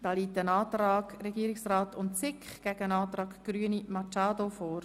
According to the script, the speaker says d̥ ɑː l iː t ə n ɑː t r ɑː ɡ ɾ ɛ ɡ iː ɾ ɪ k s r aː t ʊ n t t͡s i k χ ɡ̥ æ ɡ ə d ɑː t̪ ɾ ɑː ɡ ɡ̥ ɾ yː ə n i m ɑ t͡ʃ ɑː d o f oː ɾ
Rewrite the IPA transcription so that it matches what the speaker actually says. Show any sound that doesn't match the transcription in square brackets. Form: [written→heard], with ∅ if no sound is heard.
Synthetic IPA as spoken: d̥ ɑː l iː t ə n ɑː t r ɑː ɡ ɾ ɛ ɡ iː ɾ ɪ k s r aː t ʊ n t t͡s [i→ɪ] k χ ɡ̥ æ ɡ ə [d→n] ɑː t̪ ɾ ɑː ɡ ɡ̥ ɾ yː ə n i m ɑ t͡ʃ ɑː d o f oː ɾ

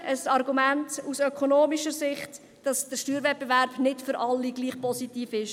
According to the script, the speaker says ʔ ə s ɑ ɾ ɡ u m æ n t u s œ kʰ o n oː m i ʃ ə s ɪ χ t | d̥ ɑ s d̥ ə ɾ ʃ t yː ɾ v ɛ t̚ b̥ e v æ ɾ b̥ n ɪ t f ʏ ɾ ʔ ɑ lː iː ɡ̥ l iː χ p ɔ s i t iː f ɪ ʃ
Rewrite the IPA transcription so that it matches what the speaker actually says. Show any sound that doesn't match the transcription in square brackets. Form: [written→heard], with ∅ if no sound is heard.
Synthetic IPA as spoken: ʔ ə s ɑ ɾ ɡ u m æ n t u s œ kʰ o n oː m i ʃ ə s ɪ χ t | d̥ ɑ s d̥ ə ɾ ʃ t yː ɾ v ɛ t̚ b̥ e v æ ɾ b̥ n ɪ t f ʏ ɾ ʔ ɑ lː [iː→i] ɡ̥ l iː χ p ɔ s i t iː f ɪ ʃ

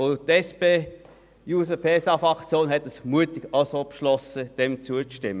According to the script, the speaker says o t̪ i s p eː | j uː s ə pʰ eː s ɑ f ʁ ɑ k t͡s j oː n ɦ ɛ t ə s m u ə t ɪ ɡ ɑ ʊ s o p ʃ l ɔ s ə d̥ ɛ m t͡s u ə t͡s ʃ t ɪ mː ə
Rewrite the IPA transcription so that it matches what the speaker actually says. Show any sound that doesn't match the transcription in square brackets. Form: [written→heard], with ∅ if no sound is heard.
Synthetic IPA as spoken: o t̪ [i→ɛ] s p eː | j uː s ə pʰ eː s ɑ f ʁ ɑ k t͡s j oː n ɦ ɛ t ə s m u ə t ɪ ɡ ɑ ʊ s o p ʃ l ɔ s ə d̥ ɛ m t͡s u ə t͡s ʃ t ɪ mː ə

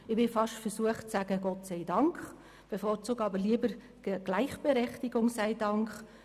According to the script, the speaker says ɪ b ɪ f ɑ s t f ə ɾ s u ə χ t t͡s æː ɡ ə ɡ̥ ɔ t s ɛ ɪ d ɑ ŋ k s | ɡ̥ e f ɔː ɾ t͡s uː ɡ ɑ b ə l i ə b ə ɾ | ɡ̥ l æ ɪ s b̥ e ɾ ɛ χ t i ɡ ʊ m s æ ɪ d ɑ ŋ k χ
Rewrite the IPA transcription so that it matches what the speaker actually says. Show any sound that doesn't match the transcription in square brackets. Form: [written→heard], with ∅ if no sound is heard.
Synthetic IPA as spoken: ɪ b ɪ f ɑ [s→ʃ] t f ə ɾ s u ə χ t t͡s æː ɡ ə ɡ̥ ɔ t s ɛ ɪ d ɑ ŋ k [s→χ] | [ɡ̥→b̥] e f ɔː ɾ t͡s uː ɡ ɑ b ə l i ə b ə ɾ | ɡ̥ l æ ɪ [s→χ] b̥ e ɾ ɛ χ t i ɡ ʊ [m→ŋ] s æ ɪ d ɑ ŋ k χ

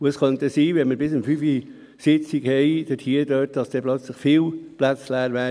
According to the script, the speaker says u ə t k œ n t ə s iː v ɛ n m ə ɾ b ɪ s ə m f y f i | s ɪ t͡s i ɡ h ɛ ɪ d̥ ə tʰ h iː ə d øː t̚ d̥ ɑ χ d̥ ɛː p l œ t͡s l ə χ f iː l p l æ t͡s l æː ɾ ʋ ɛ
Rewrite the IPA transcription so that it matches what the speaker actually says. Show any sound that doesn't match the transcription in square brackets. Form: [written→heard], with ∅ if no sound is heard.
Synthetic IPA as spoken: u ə [t→s] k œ n t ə s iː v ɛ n m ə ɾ b ɪ s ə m f y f i | s ɪ t͡s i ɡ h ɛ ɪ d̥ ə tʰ h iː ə d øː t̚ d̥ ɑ [χ→s] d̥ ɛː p l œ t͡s l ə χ f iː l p l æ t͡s l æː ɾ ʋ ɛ

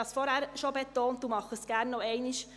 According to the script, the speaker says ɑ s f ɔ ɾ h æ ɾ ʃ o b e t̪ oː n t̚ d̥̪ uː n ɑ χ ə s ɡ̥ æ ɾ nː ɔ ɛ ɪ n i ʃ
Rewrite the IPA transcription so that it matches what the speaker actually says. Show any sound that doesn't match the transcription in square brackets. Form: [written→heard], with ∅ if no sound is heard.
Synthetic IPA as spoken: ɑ s f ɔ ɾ h æ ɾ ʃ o b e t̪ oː n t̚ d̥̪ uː [n→m] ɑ χ ə s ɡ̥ æ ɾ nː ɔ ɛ ɪ n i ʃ

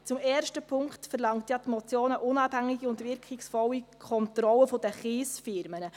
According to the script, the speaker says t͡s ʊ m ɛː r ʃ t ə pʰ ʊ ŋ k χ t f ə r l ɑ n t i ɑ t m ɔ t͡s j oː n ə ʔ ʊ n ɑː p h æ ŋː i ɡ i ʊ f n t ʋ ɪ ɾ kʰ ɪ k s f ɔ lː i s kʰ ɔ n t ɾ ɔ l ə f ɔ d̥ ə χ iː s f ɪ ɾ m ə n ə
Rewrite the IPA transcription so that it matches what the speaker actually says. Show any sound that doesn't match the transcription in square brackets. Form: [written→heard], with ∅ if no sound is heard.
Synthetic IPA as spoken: t͡s ʊ m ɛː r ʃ t ə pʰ ʊ ŋ k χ t f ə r l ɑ [n→ŋ] t [i→j] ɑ t m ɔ t͡s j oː n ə ʔ ʊ n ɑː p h æ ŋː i ɡ i ʊ [f→∅] n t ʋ ɪ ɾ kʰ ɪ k s f ɔ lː i [s→∅] kʰ ɔ n t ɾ ɔ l ə f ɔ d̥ ə χ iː s f ɪ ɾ m ə n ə

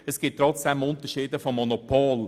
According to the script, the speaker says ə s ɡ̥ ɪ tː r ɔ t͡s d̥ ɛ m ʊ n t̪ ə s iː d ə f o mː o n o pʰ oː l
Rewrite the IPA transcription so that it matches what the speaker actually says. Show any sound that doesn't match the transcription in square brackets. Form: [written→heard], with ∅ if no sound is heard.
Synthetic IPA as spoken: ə s ɡ̥ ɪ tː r ɔ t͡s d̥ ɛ m ʊ n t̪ ə [s→ʃ] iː d ə f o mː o n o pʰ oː l

